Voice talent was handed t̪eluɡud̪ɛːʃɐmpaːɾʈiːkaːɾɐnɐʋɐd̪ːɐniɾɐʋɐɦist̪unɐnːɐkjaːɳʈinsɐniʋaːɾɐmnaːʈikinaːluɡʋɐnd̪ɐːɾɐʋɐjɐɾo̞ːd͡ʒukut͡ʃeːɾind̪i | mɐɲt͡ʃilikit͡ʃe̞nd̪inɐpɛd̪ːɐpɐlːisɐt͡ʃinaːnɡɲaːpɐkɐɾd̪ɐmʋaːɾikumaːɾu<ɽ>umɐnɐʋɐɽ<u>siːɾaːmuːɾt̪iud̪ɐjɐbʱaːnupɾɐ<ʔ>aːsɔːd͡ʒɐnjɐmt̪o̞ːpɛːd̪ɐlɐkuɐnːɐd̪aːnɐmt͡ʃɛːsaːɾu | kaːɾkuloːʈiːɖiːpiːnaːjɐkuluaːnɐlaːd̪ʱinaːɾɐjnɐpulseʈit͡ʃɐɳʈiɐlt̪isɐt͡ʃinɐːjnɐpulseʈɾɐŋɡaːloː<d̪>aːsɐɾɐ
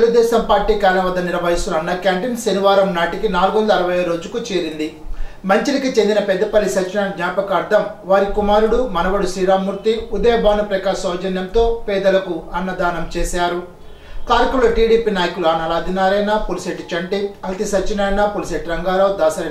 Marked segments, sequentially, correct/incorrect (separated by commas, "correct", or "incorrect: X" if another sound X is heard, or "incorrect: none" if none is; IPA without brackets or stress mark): correct, correct, incorrect: k, correct